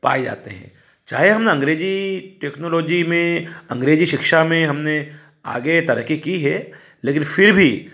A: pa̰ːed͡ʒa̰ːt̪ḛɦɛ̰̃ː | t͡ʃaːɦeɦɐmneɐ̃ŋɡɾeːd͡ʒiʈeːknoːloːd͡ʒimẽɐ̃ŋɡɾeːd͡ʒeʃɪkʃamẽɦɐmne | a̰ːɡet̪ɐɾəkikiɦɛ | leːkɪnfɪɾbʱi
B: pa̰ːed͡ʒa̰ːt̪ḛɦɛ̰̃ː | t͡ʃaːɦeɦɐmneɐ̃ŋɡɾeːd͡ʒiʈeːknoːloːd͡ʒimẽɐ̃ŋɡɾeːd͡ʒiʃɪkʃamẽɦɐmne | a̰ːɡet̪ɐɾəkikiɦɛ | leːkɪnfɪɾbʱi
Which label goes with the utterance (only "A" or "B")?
B